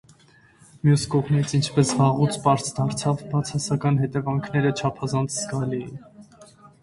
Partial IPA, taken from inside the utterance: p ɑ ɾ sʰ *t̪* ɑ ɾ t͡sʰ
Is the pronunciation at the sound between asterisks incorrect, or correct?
incorrect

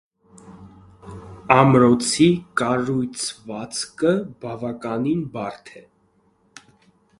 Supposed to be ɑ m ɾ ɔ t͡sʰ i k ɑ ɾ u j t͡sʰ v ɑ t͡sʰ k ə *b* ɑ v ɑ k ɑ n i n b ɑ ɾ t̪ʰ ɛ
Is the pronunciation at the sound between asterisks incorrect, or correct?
correct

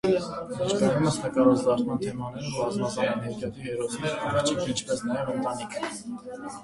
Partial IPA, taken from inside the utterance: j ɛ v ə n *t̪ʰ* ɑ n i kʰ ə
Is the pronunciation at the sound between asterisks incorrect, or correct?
incorrect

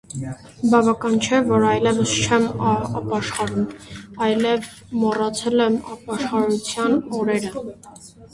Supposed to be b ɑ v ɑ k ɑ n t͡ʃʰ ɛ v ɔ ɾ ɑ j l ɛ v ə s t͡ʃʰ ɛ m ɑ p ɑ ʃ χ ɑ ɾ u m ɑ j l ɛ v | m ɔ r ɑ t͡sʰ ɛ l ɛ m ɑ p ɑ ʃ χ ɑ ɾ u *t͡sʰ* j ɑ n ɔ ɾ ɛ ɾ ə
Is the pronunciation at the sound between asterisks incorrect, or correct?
correct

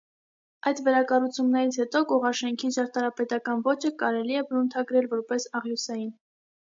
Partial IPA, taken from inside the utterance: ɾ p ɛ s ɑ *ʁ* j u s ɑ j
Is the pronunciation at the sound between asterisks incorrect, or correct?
correct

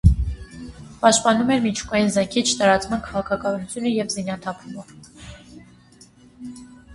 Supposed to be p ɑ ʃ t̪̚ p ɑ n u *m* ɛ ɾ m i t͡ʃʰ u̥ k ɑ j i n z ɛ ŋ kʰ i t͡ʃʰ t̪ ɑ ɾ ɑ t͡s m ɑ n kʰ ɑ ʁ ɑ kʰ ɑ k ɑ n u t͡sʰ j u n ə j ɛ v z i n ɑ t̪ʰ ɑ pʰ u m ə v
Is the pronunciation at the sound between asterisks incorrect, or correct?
correct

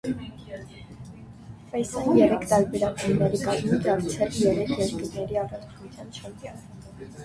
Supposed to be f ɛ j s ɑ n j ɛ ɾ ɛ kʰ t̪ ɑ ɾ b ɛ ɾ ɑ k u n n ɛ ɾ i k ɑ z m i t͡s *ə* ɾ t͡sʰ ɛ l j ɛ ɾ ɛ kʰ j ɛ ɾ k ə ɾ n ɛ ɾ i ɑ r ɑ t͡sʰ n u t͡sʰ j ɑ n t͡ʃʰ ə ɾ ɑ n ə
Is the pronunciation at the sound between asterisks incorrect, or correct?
incorrect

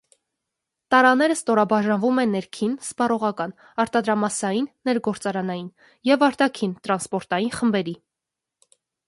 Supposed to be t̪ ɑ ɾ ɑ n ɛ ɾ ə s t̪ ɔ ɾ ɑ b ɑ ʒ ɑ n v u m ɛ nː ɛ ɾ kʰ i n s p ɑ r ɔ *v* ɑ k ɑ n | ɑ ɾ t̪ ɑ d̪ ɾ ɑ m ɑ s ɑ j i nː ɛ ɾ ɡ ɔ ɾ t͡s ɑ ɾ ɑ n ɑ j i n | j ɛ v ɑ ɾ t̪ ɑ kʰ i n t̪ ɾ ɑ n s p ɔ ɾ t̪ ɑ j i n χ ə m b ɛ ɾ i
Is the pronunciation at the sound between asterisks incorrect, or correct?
incorrect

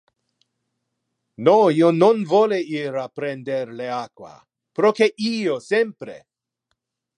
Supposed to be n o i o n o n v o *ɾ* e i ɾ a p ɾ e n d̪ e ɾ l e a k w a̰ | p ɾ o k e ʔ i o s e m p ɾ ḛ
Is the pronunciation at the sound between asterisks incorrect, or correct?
incorrect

